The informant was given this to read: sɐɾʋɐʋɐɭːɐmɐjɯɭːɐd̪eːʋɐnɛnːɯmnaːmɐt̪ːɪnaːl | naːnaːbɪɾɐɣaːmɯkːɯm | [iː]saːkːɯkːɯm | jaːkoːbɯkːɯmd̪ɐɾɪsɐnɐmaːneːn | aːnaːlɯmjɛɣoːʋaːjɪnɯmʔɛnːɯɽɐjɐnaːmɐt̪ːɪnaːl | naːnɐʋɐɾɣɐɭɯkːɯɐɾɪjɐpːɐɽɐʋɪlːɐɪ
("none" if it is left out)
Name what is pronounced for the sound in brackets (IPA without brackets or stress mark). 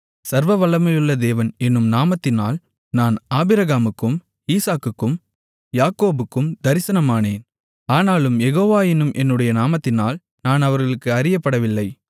iː